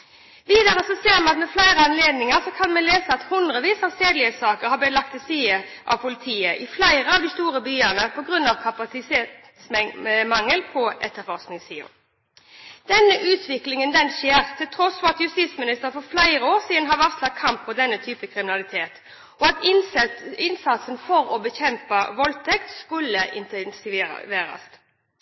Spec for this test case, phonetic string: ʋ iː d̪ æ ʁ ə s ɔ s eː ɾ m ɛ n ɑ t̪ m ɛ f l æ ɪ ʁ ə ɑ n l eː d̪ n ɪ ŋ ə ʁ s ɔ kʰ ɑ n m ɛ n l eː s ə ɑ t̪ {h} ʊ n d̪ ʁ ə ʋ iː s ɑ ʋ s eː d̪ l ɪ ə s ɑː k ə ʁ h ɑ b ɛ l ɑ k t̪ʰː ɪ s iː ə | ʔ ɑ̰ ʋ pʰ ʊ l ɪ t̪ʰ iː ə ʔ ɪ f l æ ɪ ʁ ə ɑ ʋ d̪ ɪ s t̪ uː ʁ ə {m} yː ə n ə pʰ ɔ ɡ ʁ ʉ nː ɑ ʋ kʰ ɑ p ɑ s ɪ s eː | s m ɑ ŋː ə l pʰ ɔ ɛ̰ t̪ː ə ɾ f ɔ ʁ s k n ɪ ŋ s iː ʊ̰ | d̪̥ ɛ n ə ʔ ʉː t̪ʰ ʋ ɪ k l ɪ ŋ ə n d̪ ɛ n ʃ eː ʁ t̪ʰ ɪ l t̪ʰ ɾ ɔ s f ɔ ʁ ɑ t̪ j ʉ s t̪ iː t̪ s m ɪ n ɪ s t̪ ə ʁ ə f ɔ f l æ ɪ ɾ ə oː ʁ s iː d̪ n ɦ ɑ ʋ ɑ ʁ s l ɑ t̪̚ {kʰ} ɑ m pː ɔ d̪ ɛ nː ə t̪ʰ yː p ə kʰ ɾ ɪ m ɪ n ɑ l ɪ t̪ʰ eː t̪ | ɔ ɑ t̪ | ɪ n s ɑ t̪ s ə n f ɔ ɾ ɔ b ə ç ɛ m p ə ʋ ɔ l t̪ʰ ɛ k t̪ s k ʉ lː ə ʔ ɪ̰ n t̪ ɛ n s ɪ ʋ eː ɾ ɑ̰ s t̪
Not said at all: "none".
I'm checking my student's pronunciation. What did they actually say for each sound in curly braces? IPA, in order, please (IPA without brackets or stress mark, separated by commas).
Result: h, b, kʰ